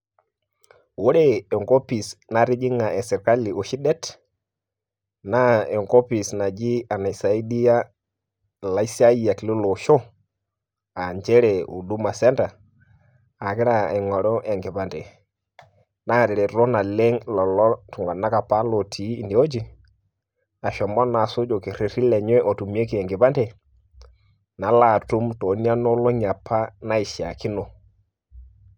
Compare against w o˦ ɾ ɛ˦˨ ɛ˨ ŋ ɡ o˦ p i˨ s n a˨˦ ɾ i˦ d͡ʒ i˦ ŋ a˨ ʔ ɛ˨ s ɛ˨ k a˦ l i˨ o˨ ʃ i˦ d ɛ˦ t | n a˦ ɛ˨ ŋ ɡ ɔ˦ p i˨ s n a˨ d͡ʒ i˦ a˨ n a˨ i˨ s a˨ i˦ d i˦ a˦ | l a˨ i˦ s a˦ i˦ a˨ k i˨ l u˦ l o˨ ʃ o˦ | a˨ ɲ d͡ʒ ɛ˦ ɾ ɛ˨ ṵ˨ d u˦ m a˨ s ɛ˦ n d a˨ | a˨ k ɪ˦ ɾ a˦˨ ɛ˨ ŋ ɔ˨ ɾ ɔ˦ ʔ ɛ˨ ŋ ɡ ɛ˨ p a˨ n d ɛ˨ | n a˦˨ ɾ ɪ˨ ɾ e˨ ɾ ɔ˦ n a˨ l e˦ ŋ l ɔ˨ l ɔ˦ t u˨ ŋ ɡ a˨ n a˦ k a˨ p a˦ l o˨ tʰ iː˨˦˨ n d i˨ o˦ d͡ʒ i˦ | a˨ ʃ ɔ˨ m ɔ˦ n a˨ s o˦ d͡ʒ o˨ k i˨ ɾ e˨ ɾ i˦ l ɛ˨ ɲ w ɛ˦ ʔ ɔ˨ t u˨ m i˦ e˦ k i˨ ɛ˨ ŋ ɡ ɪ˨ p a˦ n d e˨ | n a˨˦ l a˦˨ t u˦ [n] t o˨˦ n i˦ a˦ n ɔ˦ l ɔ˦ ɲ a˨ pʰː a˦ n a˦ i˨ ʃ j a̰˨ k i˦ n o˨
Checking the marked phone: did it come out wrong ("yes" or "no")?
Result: yes